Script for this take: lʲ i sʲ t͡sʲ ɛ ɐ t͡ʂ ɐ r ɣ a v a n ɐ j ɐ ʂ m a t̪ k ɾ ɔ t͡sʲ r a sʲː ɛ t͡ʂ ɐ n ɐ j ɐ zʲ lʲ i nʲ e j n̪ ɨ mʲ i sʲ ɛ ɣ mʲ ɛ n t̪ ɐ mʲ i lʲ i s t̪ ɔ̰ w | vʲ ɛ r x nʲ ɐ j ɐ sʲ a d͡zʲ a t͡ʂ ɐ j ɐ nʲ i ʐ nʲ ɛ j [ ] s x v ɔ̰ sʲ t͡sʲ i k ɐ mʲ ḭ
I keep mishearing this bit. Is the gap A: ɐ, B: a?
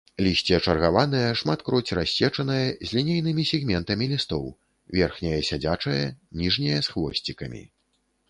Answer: A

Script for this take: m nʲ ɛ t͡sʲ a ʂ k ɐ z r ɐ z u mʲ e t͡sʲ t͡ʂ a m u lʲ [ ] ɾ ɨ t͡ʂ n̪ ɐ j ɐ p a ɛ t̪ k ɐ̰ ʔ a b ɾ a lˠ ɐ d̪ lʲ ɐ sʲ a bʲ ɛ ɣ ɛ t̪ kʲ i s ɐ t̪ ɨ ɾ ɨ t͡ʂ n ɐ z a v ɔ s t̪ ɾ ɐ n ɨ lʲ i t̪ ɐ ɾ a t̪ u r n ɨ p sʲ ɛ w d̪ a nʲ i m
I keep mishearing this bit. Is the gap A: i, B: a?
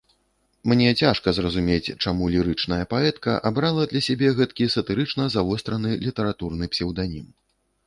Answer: A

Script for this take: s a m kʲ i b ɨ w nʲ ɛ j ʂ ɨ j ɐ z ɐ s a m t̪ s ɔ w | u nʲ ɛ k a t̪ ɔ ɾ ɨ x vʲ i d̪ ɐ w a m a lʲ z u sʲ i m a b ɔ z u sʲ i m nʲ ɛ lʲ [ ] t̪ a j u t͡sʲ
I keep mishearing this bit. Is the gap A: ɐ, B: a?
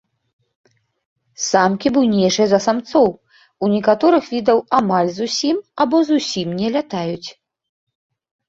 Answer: B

